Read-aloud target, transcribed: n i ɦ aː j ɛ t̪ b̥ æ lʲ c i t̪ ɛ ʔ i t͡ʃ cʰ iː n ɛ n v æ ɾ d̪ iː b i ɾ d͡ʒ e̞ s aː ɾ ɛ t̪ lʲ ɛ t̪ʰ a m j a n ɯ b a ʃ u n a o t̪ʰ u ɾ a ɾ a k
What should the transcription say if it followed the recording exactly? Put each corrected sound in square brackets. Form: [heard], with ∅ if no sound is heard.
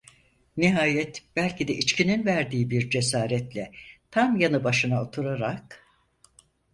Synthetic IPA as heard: n i ɦ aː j ɛ t̪ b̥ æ lʲ c i [d̪] ɛ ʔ i t͡ʃ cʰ [i] n [i] n v æ ɾ d̪ iː b i ɾ d͡ʒ e̞ s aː ɾ ɛ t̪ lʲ ɛ t̪ʰ a m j a n ɯ b a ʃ [ɯ] n a o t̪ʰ u ɾ a ɾ a k